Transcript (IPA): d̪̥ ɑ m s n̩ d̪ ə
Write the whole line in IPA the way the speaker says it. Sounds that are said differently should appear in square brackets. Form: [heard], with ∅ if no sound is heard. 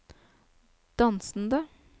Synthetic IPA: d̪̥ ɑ [n] s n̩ d̪ ə